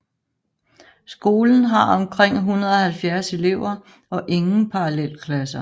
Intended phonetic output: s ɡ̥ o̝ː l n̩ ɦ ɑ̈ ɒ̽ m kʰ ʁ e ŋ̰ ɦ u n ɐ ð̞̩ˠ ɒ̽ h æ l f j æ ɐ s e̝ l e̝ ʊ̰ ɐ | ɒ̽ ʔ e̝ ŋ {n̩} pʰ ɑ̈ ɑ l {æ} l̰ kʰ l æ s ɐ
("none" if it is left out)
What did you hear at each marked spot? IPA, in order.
n̩, e

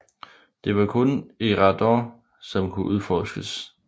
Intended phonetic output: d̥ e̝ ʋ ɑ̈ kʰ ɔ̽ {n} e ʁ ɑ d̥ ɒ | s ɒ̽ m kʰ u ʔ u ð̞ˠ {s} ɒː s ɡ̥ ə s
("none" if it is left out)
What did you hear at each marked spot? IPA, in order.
n, f

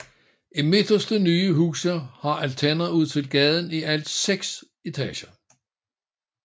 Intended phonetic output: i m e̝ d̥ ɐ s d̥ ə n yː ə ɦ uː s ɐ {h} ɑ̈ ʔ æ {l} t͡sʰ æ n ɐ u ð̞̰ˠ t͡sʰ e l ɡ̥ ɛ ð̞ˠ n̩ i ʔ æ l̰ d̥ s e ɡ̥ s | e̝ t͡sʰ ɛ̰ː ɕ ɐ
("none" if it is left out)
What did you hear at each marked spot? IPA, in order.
h, l

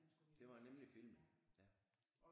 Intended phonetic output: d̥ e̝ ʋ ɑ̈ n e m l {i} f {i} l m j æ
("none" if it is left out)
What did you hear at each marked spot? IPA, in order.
i, i

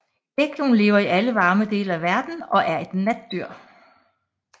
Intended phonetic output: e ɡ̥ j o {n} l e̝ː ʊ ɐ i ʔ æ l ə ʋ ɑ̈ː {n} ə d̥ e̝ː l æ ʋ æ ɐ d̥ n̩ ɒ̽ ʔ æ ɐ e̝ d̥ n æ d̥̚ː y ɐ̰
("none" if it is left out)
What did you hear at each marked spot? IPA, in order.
n, m

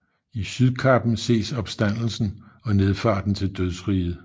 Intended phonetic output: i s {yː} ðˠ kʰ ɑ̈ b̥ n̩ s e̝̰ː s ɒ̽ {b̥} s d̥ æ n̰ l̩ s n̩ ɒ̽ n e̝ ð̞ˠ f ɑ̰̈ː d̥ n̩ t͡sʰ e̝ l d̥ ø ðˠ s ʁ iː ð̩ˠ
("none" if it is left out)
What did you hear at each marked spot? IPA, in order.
y, b̥

